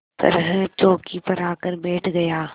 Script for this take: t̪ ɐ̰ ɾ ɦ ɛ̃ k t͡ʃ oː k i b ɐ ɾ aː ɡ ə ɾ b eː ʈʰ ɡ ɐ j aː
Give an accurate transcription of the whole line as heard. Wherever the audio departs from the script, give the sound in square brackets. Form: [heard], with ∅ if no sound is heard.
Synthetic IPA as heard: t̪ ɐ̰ ɾ ɦ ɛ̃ [∅] t͡ʃ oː k i [p] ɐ ɾ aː [k] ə ɾ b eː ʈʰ ɡ ɐ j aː